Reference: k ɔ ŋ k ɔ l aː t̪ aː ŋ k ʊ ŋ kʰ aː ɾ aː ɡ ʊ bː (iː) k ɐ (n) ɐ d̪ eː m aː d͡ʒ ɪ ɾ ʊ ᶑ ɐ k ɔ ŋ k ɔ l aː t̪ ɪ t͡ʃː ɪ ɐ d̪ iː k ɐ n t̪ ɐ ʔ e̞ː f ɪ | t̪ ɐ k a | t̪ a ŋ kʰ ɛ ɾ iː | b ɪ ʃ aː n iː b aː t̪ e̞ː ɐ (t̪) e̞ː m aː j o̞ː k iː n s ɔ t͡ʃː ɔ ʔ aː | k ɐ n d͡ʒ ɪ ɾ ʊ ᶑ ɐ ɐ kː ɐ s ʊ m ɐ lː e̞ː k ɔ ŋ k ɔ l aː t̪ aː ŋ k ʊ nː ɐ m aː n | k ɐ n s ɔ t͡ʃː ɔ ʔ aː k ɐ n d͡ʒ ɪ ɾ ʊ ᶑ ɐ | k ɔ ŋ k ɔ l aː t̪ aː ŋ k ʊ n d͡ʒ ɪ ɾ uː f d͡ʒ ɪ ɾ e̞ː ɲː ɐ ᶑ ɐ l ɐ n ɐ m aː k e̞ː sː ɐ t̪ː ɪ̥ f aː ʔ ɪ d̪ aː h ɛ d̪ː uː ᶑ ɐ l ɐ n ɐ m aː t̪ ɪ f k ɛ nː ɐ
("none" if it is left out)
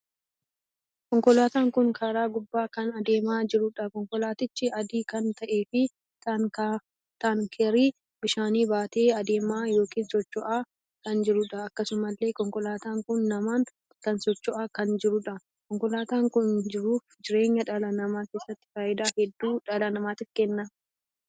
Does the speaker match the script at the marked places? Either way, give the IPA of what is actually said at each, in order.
aː, n, d̪

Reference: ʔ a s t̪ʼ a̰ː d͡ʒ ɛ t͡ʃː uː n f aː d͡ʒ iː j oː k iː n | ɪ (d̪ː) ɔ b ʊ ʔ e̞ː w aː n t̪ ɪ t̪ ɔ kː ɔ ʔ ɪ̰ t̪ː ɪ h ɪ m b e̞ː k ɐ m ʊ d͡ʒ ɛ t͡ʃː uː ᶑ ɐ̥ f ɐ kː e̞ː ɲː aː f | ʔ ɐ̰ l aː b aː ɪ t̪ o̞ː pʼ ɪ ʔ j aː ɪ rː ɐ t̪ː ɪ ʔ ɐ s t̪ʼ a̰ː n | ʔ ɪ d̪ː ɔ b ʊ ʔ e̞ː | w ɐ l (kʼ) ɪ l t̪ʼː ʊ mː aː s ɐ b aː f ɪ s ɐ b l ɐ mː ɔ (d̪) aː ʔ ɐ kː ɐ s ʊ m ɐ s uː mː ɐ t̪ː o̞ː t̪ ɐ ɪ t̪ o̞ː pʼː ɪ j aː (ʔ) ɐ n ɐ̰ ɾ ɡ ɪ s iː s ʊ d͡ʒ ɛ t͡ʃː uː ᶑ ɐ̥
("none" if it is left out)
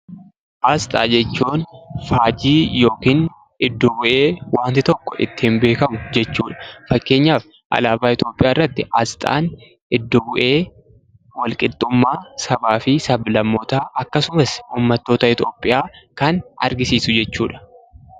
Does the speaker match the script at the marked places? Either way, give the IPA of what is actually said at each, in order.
d̪ː, kʼ, t̪, k

